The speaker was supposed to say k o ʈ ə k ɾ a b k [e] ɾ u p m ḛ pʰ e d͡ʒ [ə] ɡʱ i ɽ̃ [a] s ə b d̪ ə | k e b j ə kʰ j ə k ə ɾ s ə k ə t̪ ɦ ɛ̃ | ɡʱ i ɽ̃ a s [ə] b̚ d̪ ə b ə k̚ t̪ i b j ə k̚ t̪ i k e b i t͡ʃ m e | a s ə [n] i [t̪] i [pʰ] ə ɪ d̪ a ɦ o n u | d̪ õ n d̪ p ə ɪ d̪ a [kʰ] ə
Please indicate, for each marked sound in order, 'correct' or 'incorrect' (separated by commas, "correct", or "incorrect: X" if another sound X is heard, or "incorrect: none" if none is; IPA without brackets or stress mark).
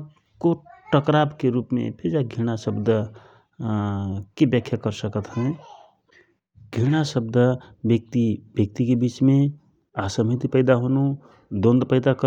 correct, incorrect: a, correct, correct, incorrect: m, correct, incorrect: p, incorrect: k